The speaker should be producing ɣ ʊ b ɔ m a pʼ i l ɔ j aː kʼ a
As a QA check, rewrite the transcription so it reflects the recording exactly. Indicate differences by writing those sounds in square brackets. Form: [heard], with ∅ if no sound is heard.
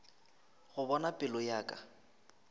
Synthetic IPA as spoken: ɣ ʊ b ɔ [n] a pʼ [ɪ] l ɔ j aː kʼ a